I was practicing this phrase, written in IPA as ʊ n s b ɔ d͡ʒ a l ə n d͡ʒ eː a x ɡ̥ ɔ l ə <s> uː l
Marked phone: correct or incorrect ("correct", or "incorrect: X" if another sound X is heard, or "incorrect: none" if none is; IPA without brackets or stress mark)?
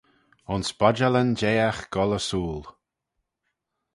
correct